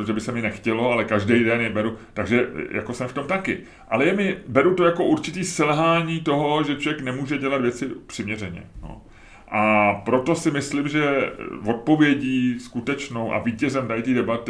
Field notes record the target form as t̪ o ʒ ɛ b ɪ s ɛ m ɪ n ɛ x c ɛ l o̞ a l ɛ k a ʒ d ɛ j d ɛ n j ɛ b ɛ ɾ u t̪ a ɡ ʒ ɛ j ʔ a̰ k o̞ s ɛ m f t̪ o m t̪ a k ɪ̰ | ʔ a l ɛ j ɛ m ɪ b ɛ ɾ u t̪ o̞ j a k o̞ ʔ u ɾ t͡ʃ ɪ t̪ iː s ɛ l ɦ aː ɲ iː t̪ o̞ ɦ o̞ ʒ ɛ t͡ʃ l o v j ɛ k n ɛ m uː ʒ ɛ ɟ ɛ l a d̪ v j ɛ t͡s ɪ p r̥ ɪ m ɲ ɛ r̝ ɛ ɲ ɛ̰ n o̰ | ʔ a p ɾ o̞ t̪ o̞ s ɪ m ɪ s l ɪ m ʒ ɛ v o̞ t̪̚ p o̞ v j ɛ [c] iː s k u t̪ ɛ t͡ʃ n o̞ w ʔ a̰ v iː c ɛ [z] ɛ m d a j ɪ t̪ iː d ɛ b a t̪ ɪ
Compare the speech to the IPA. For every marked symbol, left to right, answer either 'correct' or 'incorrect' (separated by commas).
incorrect, correct